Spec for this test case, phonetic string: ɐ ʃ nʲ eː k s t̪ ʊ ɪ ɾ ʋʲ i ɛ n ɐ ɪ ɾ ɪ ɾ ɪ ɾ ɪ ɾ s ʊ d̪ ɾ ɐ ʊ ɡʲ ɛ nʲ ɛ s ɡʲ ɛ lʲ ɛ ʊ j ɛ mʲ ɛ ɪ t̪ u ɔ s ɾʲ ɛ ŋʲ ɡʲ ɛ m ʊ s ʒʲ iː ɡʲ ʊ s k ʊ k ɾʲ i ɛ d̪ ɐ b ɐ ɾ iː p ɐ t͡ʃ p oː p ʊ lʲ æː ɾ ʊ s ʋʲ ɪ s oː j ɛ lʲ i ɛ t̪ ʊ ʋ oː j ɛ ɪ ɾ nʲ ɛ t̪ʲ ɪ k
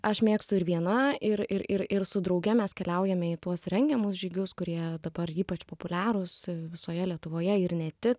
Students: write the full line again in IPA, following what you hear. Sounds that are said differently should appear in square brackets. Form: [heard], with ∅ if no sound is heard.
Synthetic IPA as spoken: ɐ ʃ [mʲ] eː k s t̪ ʊ ɪ ɾ ʋʲ i ɛ n ɐ ɪ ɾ ɪ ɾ ɪ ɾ ɪ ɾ s ʊ d̪ ɾ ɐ ʊ ɡʲ ɛ [mʲ] ɛ s [kʲ] ɛ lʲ ɛ ʊ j ɛ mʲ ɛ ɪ t̪ u ɔ s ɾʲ ɛ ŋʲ ɡʲ ɛ m ʊ s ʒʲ iː ɡʲ ʊ s k ʊ [∅] ɾʲ i ɛ d̪ ɐ b ɐ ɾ iː p ɐ t͡ʃ p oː p ʊ lʲ æː ɾ ʊ s ʋʲ ɪ s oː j ɛ lʲ i ɛ t̪ ʊ ʋ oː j ɛ ɪ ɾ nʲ ɛ t̪ʲ ɪ k

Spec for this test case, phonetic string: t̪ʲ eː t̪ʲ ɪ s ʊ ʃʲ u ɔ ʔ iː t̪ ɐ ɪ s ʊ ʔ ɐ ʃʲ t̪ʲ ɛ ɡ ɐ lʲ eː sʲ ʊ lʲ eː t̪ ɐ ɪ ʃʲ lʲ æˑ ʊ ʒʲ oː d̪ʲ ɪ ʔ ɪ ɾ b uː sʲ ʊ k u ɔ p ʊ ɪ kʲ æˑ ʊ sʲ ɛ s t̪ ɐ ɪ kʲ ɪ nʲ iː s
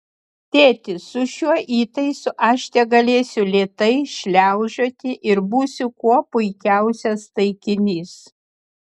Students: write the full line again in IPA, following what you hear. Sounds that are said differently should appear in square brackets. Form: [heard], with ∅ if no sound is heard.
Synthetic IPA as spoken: t̪ʲ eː t̪ʲ ɪ s ʊ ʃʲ u ɔ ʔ iː t̪ ɐ ɪ s ʊ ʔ ɐ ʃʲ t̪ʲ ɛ ɡ ɐ lʲ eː sʲ ʊ lʲ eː t̪ ɐ ɪ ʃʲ lʲ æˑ ʊ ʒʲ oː [t̪ʲ] ɪ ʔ ɪ ɾ b uː sʲ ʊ k u ɔ p ʊ ɪ kʲ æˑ ʊ sʲ ɛ s t̪ ɐ ɪ kʲ ɪ nʲ iː s

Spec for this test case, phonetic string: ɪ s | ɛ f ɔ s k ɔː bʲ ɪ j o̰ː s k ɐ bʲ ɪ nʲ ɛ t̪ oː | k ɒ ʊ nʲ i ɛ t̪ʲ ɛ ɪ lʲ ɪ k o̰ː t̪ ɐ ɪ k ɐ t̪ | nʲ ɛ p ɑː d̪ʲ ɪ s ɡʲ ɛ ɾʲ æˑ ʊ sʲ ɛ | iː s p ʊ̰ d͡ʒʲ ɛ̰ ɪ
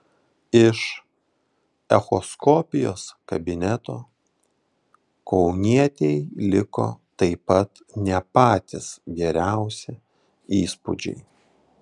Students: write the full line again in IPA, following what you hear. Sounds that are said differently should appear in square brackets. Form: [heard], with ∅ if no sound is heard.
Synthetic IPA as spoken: ɪ [ʃ] | ɛ [x] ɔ s k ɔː [pʲ] ɪ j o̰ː s k ɐ bʲ ɪ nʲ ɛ t̪ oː | k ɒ ʊ nʲ i ɛ t̪ʲ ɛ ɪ lʲ ɪ k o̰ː t̪ ɐ ɪ [p] ɐ t̪ | nʲ ɛ p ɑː [t̪ʲ] ɪ s ɡʲ ɛ ɾʲ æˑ ʊ sʲ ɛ | iː s p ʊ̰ d͡ʒʲ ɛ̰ ɪ

